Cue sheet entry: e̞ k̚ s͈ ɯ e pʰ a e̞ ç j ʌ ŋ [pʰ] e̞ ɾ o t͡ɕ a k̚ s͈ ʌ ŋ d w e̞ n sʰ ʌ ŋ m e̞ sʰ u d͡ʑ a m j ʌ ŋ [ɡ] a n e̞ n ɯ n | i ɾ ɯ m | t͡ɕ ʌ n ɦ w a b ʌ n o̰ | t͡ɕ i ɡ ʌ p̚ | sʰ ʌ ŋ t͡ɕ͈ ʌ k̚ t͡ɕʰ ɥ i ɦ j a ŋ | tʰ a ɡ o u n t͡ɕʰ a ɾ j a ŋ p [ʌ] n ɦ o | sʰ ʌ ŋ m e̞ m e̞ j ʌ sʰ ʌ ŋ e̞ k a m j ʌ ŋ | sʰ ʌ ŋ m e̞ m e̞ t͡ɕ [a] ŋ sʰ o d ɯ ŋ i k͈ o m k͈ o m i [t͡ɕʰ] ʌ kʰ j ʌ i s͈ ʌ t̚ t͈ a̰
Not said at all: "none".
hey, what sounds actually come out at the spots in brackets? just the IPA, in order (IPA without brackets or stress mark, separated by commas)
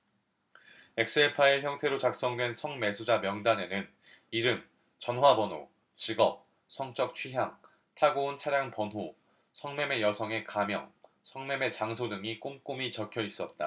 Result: tʰ, d, ʌ, a, t͡ɕ